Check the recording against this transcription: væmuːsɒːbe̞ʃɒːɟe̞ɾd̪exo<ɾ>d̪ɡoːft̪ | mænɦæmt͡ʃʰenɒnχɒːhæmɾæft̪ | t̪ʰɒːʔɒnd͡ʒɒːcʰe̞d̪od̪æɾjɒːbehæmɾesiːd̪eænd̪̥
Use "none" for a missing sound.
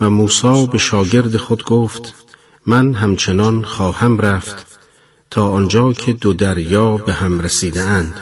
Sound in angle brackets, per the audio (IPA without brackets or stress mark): none